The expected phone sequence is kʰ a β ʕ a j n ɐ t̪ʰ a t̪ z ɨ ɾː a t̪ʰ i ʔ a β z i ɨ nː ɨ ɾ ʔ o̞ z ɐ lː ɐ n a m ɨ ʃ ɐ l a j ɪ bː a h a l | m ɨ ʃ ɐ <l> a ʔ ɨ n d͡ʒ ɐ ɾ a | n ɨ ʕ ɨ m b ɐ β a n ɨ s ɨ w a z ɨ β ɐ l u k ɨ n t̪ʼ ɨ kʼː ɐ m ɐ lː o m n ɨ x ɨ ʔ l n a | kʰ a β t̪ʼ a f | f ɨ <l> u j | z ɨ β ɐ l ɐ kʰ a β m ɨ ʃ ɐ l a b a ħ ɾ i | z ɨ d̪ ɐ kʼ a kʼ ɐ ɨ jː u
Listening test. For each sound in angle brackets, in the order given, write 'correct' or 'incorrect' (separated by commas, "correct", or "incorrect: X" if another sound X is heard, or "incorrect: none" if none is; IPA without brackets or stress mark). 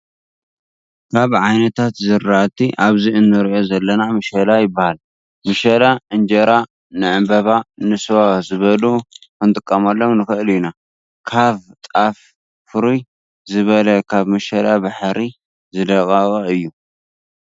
correct, incorrect: ɾ